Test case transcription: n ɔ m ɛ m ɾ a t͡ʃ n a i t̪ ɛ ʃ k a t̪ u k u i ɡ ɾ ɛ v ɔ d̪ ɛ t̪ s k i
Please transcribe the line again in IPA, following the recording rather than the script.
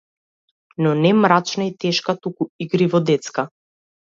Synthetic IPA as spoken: n ɔ n ɛ m ɾ a t͡ʃ n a i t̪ ɛ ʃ k a t̪ u k u i ɡ ɾ i v ɔ d̪ ɛ t̪ s k a